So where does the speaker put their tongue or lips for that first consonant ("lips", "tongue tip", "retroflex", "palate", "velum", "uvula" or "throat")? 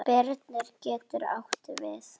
lips